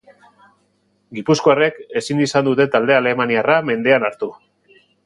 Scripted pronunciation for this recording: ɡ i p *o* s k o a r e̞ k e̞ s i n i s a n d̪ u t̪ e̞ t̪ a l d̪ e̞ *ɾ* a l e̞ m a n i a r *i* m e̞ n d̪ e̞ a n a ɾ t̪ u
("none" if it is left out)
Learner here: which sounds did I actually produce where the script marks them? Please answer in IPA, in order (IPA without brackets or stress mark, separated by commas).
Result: u, none, a